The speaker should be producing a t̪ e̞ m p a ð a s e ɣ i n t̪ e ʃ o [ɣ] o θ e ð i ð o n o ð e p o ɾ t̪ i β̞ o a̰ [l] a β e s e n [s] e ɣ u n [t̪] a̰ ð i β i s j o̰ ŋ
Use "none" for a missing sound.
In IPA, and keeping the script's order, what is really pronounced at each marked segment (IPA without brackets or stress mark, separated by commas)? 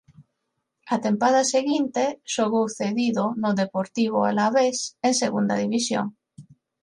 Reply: ɣ, l, s, d̪